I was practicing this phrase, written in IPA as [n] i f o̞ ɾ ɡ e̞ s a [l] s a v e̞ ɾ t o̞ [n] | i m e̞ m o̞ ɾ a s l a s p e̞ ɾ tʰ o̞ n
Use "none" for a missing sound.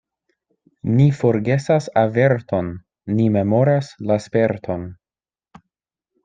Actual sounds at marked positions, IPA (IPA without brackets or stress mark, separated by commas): n, none, nː